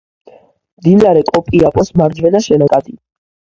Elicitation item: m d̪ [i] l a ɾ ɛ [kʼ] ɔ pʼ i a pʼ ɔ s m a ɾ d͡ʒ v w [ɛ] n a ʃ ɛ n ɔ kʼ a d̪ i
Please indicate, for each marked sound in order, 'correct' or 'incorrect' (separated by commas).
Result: correct, correct, correct